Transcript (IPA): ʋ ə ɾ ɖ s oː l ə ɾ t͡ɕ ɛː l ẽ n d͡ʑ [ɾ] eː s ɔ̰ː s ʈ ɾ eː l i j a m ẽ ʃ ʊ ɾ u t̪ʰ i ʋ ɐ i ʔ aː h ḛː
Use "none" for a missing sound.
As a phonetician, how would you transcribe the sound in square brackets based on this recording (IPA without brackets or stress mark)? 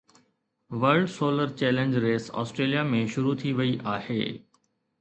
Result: ɾ